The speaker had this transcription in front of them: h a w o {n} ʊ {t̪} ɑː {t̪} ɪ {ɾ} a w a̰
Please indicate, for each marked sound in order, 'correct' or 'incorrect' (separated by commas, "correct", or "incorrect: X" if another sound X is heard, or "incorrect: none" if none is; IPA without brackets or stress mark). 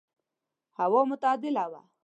incorrect: m, correct, incorrect: d̪, incorrect: l